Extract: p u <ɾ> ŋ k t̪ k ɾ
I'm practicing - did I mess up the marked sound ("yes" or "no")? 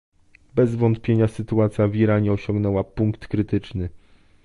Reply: yes